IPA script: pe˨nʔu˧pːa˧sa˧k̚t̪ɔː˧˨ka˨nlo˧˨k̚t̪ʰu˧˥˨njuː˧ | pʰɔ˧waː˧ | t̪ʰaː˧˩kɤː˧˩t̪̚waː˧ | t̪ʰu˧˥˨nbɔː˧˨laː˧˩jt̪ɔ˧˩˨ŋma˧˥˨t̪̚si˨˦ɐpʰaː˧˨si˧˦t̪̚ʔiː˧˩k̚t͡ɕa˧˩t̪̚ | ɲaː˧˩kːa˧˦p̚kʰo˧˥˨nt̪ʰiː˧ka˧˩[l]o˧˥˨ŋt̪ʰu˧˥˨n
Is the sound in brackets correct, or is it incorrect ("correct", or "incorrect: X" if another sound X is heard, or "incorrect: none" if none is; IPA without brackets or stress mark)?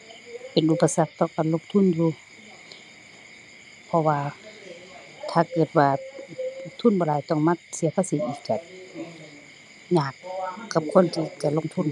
correct